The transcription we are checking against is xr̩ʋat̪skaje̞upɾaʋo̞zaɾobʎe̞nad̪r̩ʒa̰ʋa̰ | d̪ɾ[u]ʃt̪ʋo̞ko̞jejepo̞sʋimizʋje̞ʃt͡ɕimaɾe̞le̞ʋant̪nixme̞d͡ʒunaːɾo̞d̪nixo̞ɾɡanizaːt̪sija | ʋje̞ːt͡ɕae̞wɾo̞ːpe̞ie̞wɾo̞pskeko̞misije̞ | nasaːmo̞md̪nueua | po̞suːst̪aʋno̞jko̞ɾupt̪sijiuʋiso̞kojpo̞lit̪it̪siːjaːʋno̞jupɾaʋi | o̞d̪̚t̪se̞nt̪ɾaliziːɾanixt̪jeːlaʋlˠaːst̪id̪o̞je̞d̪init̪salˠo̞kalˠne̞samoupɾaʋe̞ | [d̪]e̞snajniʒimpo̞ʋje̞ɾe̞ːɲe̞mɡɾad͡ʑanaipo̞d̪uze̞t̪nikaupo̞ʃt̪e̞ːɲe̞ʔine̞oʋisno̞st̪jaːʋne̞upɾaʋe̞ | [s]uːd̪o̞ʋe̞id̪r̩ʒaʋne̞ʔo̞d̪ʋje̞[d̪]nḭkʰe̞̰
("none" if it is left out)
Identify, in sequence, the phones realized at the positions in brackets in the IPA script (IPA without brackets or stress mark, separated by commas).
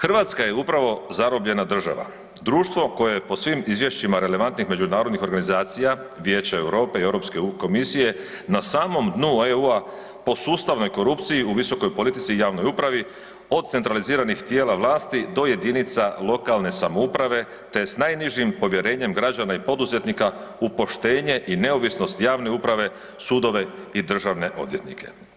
uː, t̪, s, t̪